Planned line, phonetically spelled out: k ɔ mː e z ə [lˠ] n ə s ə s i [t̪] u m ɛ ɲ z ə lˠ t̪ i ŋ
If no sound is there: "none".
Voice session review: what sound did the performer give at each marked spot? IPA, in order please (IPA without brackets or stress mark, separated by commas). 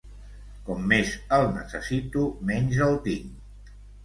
lˠ, t̪